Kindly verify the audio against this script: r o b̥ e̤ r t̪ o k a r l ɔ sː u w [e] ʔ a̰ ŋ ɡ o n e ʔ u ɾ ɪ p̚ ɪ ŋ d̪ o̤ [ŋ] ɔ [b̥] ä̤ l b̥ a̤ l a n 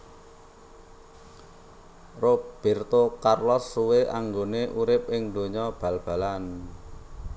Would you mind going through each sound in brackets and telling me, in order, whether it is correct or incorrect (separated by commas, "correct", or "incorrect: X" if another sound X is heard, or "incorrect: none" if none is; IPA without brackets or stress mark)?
correct, incorrect: ɲ, correct